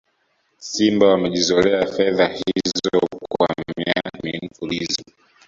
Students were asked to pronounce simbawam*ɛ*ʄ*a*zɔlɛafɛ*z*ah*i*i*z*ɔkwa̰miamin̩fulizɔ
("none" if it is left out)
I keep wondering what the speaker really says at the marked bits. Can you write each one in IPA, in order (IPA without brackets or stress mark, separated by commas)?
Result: ɛ, i, ð, i, z